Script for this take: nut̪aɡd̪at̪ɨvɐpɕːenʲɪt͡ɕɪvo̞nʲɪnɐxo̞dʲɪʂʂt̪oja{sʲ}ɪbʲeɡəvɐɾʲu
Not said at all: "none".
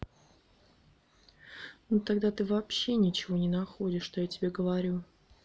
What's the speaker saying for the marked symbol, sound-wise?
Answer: tʲ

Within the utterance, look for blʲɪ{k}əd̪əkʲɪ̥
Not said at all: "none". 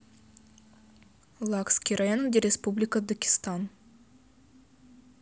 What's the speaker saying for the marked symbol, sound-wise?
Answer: k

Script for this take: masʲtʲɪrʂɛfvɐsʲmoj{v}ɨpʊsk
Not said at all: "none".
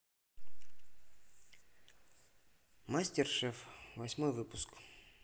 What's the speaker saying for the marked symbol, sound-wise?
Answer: v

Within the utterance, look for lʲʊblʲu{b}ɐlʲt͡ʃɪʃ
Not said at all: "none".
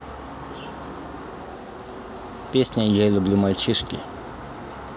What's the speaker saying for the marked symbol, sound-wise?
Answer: m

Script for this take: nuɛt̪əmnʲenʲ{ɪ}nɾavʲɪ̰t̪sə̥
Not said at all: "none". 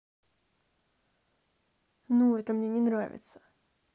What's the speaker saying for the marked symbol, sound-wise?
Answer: ɪ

